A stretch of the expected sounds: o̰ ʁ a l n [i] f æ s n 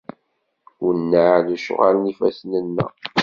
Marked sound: correct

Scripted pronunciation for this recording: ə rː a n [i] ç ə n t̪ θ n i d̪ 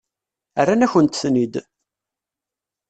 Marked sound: incorrect: æ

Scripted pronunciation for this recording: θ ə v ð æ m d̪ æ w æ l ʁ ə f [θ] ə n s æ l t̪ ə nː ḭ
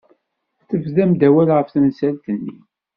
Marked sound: correct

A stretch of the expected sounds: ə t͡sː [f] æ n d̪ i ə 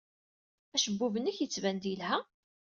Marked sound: incorrect: v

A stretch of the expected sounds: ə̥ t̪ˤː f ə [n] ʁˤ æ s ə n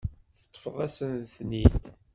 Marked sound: incorrect: none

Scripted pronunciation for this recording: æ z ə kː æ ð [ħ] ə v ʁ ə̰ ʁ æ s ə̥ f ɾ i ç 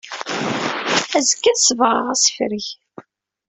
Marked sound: incorrect: s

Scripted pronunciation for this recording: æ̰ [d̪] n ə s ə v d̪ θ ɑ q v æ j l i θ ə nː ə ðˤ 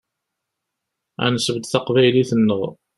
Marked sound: incorrect: none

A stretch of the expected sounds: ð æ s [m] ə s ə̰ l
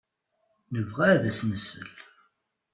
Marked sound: incorrect: n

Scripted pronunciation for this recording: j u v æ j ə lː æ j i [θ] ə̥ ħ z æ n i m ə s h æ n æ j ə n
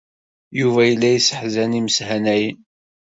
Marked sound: incorrect: s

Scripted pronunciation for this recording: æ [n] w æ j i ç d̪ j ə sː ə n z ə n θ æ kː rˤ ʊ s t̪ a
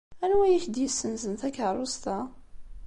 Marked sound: correct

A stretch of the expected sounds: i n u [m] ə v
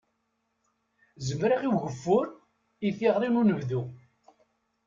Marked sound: incorrect: n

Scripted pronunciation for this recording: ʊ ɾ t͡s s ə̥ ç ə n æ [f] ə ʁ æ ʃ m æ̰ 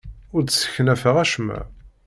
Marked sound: correct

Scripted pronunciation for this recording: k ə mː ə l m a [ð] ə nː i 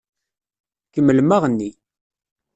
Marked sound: incorrect: ʁ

